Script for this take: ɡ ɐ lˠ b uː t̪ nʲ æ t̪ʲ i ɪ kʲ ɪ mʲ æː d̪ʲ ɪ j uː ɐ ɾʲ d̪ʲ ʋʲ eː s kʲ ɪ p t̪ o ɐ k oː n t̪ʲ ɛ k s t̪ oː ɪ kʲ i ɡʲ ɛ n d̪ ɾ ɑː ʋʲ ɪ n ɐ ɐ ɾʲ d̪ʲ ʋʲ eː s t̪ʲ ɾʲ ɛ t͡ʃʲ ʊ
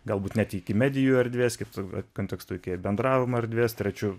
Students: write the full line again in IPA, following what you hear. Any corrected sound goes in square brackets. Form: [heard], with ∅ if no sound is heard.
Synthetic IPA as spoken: ɡ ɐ lˠ b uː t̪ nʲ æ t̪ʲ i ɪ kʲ ɪ mʲ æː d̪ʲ ɪ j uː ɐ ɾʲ d̪ʲ ʋʲ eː s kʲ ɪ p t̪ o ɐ k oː n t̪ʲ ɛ k s t̪ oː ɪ kʲ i [bʲ] ɛ n d̪ ɾ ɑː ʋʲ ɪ [m] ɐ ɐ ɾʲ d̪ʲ ʋʲ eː s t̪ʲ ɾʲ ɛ t͡ʃʲ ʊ